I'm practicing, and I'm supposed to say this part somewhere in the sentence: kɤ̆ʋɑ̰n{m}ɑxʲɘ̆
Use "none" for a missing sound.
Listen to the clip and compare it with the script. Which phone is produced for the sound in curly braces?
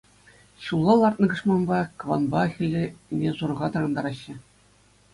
b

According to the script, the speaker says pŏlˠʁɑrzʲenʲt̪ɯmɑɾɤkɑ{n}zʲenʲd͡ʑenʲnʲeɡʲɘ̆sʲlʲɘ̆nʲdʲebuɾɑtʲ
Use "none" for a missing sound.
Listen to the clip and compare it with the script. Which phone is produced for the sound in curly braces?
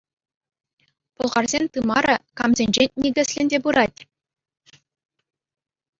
m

